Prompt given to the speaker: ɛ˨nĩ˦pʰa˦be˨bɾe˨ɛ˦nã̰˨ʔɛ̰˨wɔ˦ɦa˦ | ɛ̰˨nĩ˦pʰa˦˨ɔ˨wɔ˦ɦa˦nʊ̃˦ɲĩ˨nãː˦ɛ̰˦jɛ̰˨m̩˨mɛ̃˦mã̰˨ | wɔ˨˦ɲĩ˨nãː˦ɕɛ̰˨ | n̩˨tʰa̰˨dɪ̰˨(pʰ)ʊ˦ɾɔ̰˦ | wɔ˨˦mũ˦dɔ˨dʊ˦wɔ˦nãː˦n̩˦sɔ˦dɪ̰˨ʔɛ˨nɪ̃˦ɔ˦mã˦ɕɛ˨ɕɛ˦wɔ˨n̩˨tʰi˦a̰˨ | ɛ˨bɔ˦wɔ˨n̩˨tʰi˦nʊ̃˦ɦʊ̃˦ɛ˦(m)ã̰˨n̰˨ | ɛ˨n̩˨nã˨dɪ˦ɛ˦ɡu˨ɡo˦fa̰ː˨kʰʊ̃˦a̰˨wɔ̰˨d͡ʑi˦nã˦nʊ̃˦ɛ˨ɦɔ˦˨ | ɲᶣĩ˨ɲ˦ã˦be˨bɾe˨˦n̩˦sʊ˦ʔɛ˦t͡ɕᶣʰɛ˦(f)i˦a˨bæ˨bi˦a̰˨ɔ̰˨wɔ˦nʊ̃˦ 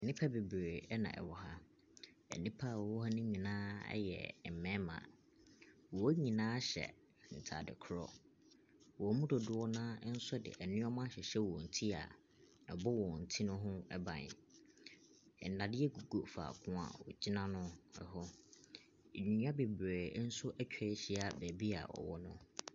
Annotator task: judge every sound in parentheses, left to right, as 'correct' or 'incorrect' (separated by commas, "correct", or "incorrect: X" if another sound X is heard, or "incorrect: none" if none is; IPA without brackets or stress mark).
incorrect: kʰ, incorrect: b, incorrect: ɕ